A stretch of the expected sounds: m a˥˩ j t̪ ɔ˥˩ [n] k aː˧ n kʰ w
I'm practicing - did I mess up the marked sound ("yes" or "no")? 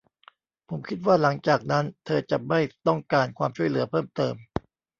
yes